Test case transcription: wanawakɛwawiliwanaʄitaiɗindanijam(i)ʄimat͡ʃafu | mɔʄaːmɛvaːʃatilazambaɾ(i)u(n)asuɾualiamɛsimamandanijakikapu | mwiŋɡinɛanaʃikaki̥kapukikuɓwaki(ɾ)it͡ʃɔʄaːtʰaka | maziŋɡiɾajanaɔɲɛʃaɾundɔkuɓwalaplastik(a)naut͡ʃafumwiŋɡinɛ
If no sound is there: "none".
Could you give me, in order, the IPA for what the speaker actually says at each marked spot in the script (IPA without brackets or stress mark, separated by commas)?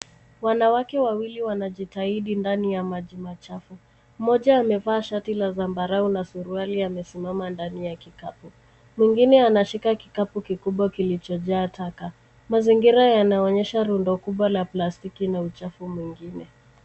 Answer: a, a, n, l, i